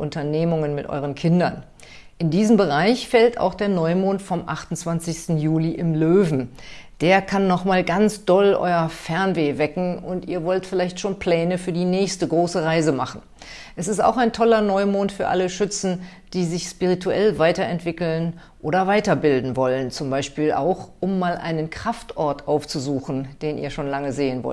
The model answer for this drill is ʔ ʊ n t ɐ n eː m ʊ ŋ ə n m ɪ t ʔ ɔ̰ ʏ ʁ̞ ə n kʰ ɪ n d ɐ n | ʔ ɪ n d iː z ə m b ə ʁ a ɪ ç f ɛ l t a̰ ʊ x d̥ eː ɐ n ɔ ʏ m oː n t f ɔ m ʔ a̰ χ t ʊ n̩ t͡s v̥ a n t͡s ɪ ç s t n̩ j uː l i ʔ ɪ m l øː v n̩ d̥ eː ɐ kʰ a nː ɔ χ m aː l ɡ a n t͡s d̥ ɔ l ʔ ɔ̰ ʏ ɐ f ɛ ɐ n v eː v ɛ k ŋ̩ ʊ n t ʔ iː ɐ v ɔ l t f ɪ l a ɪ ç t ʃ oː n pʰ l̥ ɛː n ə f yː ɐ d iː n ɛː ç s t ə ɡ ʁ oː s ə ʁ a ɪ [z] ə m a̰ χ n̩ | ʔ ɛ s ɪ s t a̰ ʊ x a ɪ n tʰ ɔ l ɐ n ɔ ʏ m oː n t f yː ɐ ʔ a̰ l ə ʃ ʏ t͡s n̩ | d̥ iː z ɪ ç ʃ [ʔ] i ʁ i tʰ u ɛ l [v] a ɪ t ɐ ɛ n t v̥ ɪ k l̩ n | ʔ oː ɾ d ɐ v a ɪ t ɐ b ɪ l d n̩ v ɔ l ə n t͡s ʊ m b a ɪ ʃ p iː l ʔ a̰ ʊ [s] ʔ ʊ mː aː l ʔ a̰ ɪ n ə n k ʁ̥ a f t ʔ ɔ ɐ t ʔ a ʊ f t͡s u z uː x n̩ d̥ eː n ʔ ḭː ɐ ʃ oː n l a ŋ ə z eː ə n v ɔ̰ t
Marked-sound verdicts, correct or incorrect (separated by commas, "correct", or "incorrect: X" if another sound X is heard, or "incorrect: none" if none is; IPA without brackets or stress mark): correct, incorrect: p, correct, incorrect: x